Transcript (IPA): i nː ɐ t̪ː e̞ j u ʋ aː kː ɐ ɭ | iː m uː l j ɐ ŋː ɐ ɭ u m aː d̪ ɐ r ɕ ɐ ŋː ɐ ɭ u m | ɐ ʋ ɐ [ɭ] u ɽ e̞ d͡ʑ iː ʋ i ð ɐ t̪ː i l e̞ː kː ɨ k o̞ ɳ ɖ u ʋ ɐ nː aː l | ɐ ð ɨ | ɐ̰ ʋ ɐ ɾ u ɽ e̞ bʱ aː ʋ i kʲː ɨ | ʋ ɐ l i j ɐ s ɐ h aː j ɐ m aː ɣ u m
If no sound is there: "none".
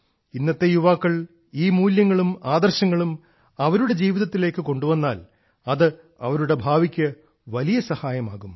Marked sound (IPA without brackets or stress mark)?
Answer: ɾ